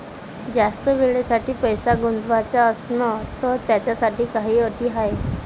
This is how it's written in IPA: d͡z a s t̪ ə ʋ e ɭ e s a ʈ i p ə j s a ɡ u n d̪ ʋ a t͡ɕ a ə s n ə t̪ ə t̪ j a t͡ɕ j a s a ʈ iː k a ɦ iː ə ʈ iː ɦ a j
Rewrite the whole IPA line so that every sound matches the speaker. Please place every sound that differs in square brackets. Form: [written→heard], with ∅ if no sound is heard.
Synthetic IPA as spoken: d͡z a s t̪ ə ʋ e ɭ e s a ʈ [i→iː] p ə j s a ɡ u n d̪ ʋ a t͡ɕ a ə s n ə t̪ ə t̪ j a t͡ɕ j a s a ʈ iː k a ɦ iː ə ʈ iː ɦ a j